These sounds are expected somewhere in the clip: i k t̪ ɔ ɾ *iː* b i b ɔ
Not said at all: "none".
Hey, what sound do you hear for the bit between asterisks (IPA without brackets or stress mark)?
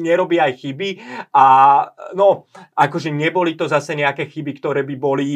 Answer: ɛː